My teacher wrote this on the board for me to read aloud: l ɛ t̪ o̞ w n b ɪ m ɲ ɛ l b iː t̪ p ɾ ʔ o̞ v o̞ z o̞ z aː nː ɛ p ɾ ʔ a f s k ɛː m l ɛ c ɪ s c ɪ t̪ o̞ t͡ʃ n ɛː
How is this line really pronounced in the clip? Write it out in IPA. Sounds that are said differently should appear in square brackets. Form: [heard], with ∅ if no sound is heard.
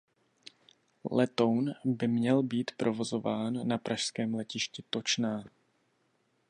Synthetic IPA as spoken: l ɛ t̪ o̞ w n b ɪ m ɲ ɛ l b iː t̪ p ɾ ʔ o̞ v o̞ z o̞ [v] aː nː [a] p ɾ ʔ a [ʃ] s k ɛː m l ɛ c ɪ [ʃ] c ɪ t̪ o̞ t͡ʃ n [aː]